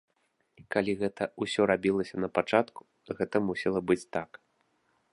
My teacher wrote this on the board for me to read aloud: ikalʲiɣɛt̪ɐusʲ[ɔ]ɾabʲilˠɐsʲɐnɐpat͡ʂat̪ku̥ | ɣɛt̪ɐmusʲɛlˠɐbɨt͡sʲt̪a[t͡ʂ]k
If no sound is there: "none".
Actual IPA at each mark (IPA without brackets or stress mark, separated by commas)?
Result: ɔ, none